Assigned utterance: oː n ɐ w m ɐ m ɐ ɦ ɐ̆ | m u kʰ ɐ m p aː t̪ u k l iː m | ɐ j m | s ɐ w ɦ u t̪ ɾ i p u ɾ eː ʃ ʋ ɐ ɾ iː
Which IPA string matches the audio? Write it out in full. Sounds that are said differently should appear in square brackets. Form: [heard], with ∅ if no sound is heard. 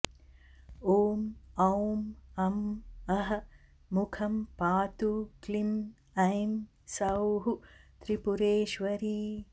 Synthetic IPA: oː [m] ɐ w m ɐ m ɐ ɦ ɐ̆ | m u kʰ ɐ m p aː t̪ u k l [i] m | ɐ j m | s ɐ w ɦ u t̪ ɾ i p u ɾ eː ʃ ʋ ɐ ɾ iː